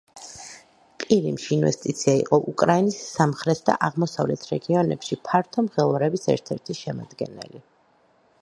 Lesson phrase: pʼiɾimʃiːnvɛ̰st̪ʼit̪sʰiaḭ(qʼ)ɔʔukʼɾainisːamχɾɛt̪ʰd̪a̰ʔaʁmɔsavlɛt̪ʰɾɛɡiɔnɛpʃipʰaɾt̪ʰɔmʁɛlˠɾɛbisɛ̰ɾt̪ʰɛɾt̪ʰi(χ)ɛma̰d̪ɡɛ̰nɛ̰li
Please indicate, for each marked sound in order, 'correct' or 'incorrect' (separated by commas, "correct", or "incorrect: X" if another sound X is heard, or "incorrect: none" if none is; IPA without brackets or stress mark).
correct, incorrect: ʃ